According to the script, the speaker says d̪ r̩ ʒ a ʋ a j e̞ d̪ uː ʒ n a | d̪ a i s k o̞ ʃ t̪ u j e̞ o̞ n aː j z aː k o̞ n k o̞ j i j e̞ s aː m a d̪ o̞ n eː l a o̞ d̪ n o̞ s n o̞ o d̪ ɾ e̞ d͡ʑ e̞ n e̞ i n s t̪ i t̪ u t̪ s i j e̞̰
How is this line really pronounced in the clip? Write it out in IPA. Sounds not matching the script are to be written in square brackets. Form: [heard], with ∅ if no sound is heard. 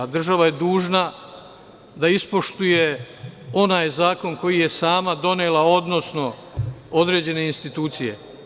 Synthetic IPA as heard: d̪ r̩ ʒ a ʋ a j e̞ d̪ uː ʒ n a | d̪ a i s [p] o̞ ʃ t̪ u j e̞ o̞ n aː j z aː k o̞ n k o̞ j i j e̞ s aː m a d̪ o̞ n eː l a o̞ d̪ n o̞ s n o̞ o d̪ ɾ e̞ d͡ʑ e̞ n e̞ i n s t̪ i t̪ [uː] t̪ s i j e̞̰